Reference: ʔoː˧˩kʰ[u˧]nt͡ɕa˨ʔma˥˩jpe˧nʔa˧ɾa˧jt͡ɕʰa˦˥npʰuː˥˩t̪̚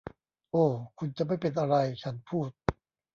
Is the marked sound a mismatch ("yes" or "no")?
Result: no